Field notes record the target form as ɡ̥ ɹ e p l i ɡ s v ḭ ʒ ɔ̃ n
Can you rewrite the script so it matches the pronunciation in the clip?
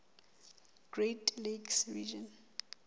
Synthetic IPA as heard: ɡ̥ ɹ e t l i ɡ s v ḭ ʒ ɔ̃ n